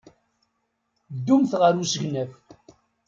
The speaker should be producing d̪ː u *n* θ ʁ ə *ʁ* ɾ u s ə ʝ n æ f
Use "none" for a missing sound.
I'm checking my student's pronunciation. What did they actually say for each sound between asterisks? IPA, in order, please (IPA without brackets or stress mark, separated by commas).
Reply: m, none